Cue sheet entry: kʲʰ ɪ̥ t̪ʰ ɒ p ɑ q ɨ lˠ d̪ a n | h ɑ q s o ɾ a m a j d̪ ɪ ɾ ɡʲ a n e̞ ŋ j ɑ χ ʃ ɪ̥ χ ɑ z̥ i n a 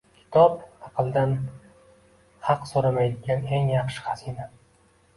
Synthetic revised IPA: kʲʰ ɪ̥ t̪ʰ ɒ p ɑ q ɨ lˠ d̪ a n | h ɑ q s o ɾ a m a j d̪ ɪ ɡʲ a n e̞ ŋ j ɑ χ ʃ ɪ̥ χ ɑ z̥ i n a